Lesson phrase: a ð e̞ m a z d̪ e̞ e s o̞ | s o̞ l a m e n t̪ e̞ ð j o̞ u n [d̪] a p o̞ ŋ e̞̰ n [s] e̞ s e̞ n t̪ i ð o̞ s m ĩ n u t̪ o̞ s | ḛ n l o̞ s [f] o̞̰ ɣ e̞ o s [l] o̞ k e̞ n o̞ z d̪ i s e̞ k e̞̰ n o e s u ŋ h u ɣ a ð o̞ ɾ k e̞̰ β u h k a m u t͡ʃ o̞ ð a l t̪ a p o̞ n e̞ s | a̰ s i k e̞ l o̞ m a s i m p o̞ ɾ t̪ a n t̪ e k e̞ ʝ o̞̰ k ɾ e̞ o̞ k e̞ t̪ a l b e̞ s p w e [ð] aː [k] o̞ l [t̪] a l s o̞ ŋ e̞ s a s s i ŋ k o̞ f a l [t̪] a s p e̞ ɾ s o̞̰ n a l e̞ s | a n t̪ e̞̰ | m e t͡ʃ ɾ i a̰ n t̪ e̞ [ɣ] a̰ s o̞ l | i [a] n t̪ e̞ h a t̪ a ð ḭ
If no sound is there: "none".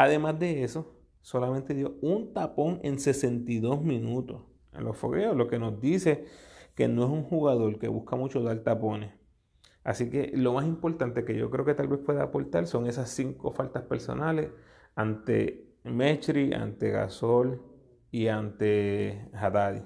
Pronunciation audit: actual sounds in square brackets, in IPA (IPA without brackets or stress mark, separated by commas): t̪, s, f, l, ð, p, t̪, t̪, ɣ, a